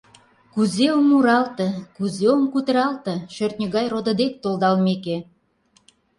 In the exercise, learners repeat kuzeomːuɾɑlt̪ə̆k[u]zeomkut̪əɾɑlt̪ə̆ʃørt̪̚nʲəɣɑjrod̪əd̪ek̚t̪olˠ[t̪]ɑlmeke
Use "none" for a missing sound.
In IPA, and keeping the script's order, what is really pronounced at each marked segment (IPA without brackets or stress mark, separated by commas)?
u, d̪